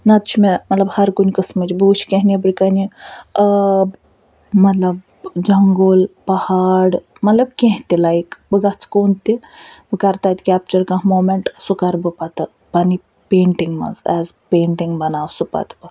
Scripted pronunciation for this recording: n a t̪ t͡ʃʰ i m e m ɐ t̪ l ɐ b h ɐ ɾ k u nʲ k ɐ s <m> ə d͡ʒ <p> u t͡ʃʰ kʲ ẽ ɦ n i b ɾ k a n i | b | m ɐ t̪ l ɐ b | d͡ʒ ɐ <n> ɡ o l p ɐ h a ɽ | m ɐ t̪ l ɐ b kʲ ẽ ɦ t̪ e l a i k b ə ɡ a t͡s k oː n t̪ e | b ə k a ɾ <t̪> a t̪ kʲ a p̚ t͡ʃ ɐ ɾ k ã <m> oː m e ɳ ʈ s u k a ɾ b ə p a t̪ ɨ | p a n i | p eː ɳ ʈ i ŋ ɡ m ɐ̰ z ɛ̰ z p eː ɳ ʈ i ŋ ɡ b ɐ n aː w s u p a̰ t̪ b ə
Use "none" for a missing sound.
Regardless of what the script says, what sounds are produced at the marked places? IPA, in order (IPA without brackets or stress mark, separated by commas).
m, b, ŋ, t̪, m